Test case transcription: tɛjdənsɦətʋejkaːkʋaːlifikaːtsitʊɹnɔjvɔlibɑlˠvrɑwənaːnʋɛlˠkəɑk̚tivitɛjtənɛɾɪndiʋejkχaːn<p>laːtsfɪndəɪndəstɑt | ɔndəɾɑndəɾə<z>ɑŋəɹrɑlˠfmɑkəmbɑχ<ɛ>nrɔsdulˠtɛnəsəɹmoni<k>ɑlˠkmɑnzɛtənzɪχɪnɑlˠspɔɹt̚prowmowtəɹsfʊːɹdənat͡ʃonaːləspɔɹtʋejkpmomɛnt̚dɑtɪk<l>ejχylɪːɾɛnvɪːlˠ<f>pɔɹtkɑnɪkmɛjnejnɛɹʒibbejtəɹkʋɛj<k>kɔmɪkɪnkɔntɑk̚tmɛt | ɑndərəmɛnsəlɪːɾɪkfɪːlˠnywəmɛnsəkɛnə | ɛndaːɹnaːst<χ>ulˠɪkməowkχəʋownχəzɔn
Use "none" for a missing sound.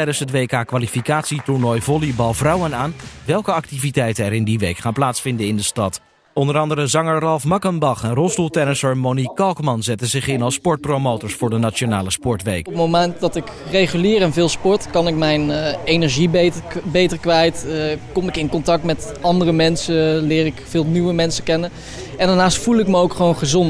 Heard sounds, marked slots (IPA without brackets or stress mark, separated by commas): p, z, ɛ, k, r, s, t, f